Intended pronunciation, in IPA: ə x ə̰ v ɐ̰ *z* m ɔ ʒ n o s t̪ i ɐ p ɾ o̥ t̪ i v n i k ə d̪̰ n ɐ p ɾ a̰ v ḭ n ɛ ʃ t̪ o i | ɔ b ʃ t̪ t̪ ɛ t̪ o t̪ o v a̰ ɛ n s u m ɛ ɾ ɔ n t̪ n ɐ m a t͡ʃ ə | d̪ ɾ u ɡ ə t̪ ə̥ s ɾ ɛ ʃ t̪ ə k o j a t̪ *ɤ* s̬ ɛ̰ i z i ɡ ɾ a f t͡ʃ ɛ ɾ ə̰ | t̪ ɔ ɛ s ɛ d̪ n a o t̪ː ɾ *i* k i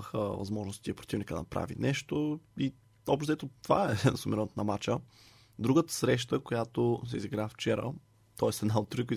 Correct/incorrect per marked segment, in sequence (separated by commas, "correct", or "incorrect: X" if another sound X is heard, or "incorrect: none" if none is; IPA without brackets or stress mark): correct, incorrect: o, correct